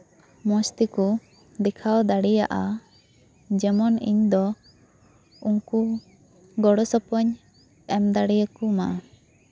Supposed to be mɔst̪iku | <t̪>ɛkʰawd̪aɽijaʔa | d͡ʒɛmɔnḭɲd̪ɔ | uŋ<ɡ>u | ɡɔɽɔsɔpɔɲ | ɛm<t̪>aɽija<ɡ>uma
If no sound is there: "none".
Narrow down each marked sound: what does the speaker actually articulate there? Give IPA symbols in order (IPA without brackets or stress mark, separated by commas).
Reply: d̪, k, d̪, k